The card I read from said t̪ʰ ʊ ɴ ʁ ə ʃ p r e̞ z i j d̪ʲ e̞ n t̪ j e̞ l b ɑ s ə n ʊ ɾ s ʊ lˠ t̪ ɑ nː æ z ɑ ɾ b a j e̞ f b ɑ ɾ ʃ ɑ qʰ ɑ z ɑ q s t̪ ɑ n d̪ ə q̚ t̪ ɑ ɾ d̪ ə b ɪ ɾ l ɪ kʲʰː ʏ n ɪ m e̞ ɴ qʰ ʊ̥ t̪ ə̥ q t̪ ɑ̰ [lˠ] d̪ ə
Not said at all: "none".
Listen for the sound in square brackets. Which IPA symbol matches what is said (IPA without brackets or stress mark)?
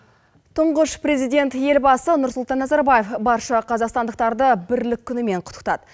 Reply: none